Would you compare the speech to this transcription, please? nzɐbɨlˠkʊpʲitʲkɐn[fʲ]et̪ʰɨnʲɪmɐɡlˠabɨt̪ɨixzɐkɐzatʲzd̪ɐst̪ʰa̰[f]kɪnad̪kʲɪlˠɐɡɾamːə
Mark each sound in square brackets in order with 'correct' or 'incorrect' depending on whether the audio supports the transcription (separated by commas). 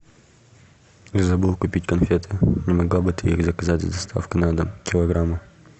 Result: correct, correct